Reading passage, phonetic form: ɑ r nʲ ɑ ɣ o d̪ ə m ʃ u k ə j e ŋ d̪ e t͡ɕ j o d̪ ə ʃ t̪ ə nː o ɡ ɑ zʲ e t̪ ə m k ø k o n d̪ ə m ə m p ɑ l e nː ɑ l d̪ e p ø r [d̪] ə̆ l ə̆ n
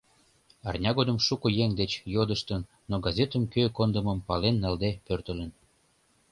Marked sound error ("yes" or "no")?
yes